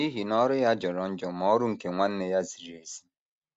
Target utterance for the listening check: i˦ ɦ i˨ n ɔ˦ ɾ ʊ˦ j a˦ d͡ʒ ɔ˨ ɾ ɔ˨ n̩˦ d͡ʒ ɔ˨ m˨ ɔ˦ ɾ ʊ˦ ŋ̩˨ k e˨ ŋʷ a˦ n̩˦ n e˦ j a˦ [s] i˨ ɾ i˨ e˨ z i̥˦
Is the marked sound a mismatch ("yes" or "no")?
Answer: yes